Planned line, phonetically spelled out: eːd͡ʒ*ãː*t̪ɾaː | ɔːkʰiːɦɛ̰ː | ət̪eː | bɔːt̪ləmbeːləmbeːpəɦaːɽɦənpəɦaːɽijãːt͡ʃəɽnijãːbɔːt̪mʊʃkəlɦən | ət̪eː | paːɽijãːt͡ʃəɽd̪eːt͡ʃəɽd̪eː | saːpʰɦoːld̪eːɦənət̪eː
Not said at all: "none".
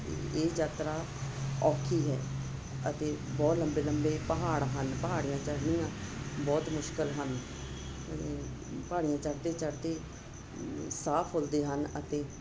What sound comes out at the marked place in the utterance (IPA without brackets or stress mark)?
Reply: aː